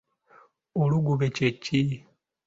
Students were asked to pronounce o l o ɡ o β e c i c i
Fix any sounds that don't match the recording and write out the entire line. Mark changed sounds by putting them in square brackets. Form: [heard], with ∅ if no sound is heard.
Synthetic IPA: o l [u] ɡ [u] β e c [e] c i